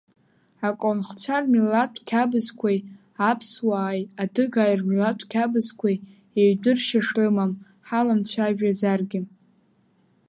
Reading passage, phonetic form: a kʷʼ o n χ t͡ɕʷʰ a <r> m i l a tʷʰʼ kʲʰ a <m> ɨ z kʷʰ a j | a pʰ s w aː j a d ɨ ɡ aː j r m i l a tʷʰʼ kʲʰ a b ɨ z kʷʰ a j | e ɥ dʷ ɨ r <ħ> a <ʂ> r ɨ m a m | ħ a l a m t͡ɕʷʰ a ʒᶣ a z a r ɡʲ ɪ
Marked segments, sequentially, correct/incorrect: correct, incorrect, incorrect, correct

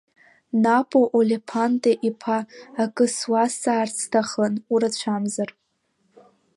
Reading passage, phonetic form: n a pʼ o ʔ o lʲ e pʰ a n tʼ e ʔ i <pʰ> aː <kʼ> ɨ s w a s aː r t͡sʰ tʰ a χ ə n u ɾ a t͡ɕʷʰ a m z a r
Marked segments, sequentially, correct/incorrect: correct, correct

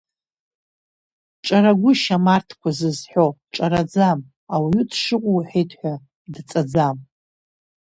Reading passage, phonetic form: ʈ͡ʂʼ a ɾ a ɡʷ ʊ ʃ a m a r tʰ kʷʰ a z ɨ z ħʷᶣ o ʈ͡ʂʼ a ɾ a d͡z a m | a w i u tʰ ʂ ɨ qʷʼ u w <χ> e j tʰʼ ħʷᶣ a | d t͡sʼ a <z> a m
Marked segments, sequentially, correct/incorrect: incorrect, incorrect

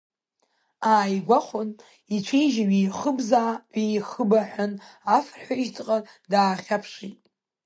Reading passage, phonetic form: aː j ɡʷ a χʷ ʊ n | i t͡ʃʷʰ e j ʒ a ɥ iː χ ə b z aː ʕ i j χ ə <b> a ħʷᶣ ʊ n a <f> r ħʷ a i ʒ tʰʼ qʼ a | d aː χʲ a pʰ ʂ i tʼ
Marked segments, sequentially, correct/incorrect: correct, correct

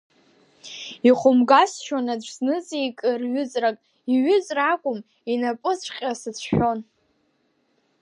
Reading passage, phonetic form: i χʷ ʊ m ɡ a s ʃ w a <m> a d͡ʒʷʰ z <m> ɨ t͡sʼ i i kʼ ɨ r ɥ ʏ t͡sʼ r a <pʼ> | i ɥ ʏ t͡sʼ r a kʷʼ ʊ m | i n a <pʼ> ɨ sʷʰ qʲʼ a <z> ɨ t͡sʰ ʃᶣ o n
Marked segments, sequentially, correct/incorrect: incorrect, incorrect, incorrect, correct, incorrect

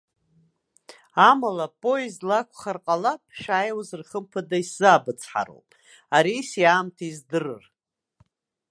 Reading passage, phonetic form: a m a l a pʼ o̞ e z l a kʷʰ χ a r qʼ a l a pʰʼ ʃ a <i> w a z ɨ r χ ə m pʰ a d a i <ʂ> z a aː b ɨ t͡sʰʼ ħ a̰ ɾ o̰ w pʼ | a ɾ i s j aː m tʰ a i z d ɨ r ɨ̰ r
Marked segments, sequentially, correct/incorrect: incorrect, incorrect

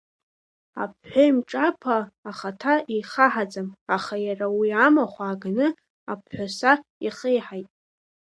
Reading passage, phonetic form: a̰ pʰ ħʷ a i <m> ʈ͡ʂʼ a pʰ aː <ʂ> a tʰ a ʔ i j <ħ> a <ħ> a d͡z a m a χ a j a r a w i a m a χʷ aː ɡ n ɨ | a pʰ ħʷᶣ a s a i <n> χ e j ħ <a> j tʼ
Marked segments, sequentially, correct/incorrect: correct, incorrect, incorrect, correct, incorrect, correct

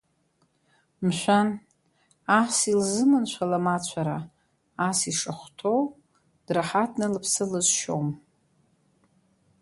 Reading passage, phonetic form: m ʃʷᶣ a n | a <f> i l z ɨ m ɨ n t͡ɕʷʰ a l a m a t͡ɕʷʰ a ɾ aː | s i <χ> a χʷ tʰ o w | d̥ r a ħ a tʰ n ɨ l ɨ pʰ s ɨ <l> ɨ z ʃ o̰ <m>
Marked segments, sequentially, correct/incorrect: incorrect, incorrect, correct, correct

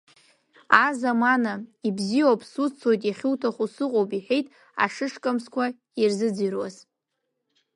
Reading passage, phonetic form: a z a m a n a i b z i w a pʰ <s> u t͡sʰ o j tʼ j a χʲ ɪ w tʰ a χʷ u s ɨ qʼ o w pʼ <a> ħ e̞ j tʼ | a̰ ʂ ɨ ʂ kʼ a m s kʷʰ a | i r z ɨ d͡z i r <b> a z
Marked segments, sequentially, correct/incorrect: correct, incorrect, incorrect

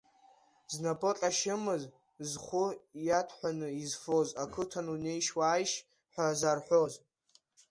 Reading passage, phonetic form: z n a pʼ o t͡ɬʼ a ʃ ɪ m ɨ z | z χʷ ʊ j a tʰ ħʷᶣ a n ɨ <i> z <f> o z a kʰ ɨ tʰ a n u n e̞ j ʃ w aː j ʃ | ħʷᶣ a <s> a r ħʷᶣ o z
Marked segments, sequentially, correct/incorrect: correct, correct, incorrect

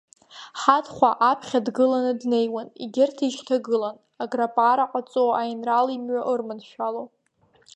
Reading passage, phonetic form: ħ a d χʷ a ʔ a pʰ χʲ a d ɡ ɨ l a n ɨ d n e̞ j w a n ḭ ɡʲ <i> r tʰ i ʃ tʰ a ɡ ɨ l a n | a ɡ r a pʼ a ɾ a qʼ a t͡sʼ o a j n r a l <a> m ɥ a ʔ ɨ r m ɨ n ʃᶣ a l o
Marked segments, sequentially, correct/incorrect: incorrect, incorrect

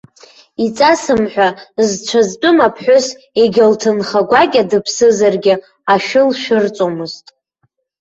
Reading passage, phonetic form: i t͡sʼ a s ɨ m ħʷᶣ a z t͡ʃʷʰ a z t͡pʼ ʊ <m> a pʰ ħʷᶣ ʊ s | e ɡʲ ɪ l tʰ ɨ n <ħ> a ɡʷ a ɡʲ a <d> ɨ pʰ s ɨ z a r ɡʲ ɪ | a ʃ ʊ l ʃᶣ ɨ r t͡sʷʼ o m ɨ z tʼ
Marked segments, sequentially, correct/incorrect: correct, incorrect, correct

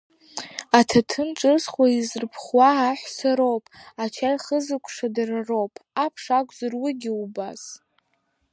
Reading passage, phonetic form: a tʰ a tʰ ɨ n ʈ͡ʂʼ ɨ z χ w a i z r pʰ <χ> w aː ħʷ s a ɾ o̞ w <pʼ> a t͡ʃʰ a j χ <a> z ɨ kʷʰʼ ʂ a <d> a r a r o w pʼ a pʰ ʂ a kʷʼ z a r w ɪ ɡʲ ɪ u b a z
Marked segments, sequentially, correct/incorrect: correct, correct, incorrect, correct

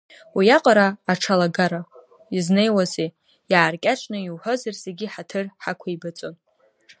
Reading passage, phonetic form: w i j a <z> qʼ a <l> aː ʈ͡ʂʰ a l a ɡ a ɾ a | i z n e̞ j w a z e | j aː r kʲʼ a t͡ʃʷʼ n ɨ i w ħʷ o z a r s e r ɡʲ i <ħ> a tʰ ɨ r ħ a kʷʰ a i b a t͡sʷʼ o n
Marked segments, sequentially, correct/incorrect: incorrect, incorrect, correct

